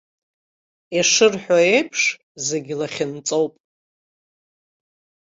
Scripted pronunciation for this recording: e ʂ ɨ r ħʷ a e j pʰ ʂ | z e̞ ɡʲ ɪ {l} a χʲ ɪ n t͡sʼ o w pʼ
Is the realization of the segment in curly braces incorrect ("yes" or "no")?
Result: no